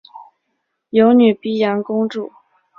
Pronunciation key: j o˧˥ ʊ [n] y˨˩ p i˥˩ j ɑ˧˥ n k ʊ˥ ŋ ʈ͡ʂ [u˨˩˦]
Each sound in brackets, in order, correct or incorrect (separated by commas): correct, incorrect